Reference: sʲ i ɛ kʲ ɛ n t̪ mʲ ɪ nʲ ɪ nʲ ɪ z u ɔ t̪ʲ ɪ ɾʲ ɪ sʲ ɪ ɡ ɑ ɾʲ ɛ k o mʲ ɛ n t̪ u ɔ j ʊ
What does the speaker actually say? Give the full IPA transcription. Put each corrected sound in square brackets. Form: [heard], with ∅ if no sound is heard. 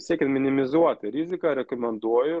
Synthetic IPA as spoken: sʲ i ɛ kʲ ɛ n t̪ mʲ ɪ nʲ ɪ [mʲ] ɪ z u ɔ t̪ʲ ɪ ɾʲ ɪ [zʲ] ɪ [k] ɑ ɾʲ ɛ k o mʲ ɛ n [d̪] u ɔ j ʊ